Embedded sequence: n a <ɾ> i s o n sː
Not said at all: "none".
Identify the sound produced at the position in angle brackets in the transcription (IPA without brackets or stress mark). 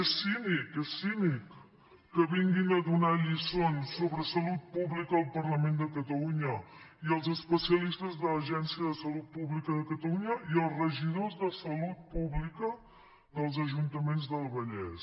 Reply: ʎ